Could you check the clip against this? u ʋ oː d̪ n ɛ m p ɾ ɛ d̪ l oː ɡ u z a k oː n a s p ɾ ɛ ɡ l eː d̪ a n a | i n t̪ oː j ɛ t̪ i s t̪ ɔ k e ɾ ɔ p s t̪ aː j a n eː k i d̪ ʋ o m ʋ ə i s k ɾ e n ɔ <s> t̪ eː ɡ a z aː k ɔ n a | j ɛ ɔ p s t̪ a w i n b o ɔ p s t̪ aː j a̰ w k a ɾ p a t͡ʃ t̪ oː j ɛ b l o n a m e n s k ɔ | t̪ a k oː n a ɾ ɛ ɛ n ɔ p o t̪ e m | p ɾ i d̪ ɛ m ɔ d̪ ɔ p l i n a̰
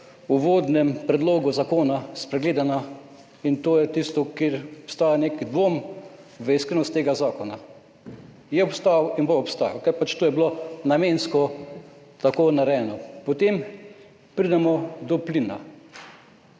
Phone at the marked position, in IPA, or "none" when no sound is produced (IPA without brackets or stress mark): s